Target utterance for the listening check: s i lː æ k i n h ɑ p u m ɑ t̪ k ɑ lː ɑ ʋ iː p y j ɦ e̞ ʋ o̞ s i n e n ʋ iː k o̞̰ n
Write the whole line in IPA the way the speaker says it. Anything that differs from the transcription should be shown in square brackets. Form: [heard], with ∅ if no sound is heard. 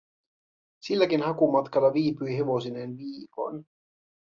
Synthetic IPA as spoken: s i lː æ k i n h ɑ [k] u m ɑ t̪ k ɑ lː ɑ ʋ iː p y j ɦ e̞ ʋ o̞ s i n e n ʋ iː k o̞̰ n